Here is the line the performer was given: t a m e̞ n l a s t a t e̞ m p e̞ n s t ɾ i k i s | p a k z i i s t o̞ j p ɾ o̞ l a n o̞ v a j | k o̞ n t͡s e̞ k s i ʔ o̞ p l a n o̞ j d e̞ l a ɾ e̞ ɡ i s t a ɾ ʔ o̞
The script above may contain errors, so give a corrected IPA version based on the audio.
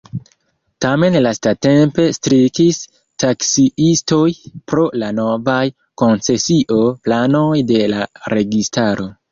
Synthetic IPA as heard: t a m e̞ n l a s t a t e̞ m p e̞ s t ɾ i k i s | t a k s i i s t o̞ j p ɾ o̞ l a n o̞ v a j | k o̞ n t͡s e̞ s i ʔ o̞ p l a n o̞ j d e̞ l a ɾ e̞ ɡ i s t a ɾ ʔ o̞